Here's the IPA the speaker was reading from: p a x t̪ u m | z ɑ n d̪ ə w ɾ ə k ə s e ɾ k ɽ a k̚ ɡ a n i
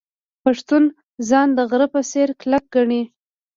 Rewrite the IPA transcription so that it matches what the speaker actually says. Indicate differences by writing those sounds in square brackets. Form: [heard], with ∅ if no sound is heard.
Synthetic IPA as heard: p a [ʂ] t̪ u [n] | z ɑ n d̪ ə [ɣ] ɾ ə [p] ə s e ɾ k [l] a k̚ ɡ a [ɳ] i